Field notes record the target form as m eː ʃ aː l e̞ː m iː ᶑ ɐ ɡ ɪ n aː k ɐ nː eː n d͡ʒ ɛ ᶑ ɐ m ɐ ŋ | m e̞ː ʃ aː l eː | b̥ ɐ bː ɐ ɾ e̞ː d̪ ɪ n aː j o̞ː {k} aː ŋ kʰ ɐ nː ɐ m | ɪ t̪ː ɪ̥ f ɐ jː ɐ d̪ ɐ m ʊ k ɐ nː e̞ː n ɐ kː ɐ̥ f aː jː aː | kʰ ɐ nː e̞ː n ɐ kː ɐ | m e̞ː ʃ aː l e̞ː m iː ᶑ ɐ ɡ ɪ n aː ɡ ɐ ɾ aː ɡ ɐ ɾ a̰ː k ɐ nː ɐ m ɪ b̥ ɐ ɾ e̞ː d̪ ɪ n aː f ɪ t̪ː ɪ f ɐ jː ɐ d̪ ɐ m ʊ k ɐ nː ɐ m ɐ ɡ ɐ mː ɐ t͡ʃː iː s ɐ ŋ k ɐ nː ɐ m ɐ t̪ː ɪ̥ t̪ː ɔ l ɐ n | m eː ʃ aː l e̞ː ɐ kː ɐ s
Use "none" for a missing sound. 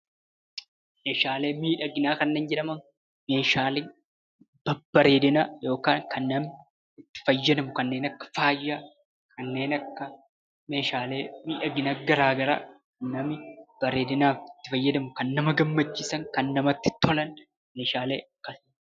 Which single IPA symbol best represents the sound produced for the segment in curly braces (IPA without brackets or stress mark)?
k